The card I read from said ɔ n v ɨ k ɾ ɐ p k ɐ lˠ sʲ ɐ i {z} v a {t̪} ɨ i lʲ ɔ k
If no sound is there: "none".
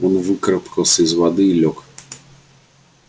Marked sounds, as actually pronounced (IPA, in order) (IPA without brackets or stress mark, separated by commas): z, d̪